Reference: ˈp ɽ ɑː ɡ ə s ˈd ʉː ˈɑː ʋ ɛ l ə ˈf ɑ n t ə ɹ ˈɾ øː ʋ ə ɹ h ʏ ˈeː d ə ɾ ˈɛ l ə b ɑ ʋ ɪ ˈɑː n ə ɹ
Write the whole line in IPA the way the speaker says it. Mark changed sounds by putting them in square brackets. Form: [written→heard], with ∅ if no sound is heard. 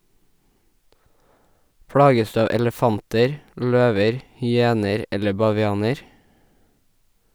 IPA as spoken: ˈp ɽ ɑː ɡ ə s ˈd ʉː ˈɑː ʋ ɛ l ə ˈf ɑ n t ə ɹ [ˈɾ→ˈʎ] øː ʋ ə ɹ h ʏ ˈeː [d→n] ə ɾ ˈɛ l ə b ɑ ʋ ɪ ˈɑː n ə ɹ